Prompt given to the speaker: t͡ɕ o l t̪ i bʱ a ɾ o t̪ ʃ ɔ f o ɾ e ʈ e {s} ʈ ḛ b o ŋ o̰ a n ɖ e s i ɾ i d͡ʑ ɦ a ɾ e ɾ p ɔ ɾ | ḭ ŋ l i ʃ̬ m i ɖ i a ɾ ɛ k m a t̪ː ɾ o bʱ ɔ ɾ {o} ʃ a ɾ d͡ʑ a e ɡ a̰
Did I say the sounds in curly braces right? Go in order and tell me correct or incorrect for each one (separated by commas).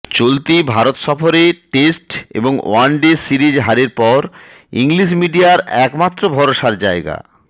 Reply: correct, correct